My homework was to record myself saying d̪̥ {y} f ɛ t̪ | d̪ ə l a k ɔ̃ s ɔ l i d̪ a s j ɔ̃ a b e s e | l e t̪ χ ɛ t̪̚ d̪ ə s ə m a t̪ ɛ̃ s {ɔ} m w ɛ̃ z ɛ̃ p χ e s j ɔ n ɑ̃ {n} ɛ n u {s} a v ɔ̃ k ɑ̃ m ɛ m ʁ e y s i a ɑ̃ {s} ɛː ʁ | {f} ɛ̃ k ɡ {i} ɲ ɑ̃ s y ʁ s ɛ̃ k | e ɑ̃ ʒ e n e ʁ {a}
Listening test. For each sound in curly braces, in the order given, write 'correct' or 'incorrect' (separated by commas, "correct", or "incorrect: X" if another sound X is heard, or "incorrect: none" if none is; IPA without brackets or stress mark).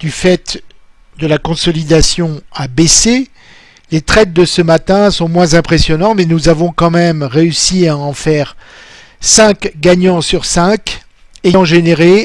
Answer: correct, incorrect: ɔ̃, incorrect: m, incorrect: z, incorrect: f, incorrect: s, incorrect: a, incorrect: e